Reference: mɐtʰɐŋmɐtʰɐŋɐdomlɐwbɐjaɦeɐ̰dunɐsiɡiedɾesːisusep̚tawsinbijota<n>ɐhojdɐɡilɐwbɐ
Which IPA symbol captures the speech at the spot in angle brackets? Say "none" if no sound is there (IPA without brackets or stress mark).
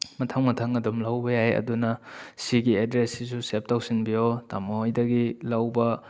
m